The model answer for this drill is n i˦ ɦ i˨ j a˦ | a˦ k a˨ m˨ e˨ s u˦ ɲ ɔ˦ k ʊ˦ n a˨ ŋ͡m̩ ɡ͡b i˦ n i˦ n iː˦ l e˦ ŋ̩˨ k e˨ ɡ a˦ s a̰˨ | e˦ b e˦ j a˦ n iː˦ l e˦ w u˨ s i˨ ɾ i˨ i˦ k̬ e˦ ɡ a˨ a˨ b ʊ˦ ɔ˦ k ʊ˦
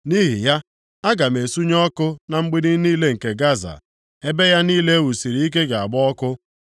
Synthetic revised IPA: n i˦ ɦ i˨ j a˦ | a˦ ɡ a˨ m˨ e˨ s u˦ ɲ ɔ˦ k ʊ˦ n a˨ ŋ͡m̩ ɡ͡b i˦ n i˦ n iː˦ l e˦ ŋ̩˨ k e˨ ɡ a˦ z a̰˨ | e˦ b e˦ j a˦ n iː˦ l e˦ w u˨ s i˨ ɾ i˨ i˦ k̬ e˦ ɡ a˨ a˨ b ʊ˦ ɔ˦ k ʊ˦

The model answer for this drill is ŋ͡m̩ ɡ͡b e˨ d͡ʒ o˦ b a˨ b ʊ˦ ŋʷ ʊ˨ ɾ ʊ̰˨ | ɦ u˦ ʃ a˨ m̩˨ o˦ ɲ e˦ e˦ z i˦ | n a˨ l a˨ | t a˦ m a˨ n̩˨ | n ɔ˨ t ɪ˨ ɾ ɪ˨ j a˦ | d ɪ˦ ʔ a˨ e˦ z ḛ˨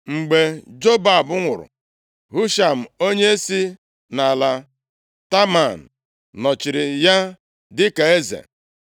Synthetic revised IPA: ŋ͡m̩ ɡ͡b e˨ d͡ʒ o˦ b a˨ b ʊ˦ ŋʷ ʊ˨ ɾ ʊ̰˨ | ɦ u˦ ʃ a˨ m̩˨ o˦ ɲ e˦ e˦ s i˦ | n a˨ l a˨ | t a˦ m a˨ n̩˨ | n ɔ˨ t͡ʃ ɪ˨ ɾ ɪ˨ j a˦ | d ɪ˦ k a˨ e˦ z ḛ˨

